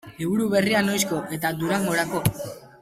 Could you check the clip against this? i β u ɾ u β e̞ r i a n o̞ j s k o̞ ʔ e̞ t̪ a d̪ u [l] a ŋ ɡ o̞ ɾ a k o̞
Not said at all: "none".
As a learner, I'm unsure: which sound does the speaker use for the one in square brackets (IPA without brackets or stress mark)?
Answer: ɾ